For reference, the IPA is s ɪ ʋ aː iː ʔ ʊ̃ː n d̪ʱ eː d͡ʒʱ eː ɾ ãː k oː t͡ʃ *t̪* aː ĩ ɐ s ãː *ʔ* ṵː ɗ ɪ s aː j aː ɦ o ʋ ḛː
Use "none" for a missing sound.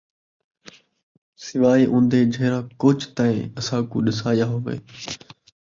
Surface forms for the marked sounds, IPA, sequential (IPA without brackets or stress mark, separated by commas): t̪, k